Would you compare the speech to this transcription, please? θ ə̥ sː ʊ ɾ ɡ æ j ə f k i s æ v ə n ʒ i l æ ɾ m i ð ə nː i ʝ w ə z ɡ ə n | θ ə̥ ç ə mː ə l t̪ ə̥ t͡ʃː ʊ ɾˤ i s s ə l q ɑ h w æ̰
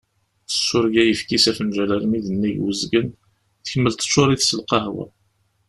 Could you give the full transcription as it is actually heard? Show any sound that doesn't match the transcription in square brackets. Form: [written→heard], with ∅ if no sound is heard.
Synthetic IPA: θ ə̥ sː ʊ ɾ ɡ æ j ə f k i s æ [v→f] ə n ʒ [i→æ] l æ ɾ m i ð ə nː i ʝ w ə z ɡ ə n | θ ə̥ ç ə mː ə l t̪ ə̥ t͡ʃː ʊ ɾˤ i [s→θ] s ə l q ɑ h w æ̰